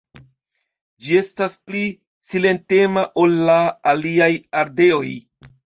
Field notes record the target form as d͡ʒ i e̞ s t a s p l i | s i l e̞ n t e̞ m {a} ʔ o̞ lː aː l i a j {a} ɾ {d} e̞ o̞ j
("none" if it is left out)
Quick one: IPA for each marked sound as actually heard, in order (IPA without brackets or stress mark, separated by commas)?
a, a, d